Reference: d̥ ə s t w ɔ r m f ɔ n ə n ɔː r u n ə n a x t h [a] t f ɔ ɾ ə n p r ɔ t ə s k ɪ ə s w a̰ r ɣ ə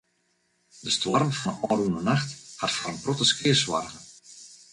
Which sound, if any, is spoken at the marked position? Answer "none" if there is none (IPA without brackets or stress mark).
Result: a